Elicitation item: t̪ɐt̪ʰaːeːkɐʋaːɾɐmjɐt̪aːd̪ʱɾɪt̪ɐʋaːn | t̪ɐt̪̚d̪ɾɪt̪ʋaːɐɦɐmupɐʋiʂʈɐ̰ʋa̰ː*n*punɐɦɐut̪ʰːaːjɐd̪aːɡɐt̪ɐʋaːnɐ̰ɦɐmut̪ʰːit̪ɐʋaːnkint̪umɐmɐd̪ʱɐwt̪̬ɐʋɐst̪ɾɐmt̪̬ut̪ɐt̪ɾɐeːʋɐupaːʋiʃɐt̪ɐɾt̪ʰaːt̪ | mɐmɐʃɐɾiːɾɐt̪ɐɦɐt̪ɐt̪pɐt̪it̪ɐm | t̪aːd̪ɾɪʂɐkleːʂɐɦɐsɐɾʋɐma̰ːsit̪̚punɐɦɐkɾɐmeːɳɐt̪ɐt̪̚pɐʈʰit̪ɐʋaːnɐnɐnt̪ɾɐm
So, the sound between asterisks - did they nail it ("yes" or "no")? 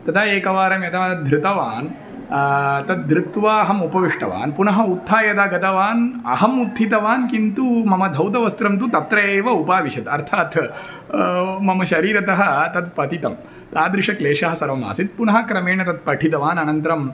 yes